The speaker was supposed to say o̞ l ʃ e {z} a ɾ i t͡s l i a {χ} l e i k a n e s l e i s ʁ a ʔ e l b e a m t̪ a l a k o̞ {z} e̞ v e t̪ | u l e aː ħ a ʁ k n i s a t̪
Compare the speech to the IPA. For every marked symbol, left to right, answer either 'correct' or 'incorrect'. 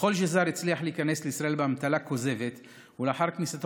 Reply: correct, incorrect: ħ, correct

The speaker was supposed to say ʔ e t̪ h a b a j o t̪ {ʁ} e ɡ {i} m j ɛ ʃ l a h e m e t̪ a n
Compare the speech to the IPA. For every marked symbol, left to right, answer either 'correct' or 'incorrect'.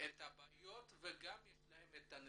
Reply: incorrect: v, incorrect: a

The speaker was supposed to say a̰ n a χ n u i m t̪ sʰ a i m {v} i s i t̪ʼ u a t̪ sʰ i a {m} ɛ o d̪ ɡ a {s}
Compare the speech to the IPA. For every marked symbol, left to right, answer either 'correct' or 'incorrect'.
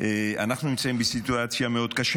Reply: incorrect: b, correct, incorrect: ʃ

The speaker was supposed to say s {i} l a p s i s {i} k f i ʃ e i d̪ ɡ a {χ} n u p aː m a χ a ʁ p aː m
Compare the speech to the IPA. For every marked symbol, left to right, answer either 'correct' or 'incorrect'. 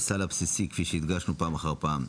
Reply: incorrect: a, correct, incorrect: ʃ

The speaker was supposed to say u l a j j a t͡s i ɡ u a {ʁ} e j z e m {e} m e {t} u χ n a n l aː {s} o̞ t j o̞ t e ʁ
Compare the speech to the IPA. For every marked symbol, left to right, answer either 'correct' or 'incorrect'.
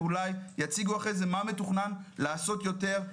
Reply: incorrect: χ, incorrect: a, correct, correct

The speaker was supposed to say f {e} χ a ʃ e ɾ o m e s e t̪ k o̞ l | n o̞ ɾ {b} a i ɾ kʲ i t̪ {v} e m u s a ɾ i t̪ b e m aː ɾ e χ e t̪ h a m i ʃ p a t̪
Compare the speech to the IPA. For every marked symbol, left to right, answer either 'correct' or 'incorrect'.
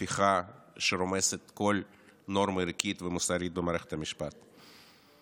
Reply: incorrect: i, incorrect: m, correct

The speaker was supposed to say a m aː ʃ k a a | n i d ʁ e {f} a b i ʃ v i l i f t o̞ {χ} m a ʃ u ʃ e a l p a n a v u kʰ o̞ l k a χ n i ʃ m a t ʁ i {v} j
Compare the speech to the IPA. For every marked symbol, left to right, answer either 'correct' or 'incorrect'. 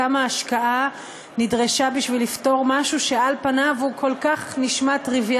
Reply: incorrect: ʃ, incorrect: ʁ, correct

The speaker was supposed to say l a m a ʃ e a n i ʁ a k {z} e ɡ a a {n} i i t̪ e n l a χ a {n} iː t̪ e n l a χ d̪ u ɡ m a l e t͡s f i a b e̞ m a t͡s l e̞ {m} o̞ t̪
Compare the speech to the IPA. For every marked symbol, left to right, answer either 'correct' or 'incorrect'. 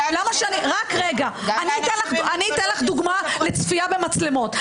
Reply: incorrect: ʁ, correct, correct, correct

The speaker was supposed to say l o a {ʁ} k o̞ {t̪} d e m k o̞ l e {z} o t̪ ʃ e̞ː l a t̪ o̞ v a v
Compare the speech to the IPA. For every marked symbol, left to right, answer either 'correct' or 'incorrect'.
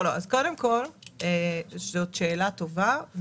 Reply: incorrect: z, incorrect: none, correct

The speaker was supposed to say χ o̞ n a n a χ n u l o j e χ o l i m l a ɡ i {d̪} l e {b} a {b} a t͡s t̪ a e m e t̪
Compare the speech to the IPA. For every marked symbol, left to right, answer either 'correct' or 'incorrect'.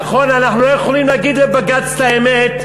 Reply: correct, correct, incorrect: ɡ

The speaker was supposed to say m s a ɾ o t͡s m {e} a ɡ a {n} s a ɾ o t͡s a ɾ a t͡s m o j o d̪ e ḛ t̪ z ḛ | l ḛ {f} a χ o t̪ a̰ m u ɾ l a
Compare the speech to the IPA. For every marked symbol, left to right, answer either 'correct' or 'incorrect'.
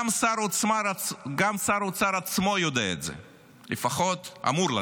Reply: incorrect: a, incorrect: m, correct

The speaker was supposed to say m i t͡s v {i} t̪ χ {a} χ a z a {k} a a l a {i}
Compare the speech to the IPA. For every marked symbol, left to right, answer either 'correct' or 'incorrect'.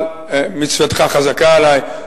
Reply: incorrect: a, correct, correct, incorrect: j

